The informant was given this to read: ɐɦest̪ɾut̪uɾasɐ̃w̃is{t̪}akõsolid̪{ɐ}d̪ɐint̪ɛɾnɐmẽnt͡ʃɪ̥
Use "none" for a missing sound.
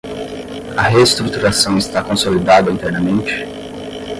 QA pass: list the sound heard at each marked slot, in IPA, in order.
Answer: t̪, a

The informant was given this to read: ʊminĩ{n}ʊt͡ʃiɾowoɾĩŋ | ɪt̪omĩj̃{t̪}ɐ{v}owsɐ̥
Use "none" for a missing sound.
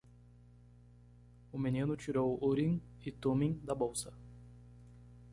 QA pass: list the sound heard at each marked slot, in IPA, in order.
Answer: n, d̪, b

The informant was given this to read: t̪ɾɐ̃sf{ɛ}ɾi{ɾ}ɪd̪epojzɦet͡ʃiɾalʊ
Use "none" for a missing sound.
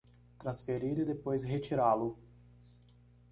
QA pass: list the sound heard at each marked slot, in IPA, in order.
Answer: e, ɾ

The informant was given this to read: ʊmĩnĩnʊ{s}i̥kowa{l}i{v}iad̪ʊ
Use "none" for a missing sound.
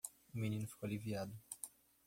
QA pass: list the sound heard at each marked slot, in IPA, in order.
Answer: f, l, v

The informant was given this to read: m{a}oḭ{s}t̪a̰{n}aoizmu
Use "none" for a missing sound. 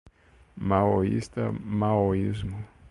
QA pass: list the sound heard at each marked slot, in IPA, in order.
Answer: a, s, m

